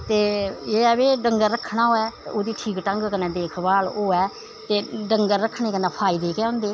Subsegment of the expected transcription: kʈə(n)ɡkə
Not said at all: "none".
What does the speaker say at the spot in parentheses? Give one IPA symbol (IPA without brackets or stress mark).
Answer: ŋ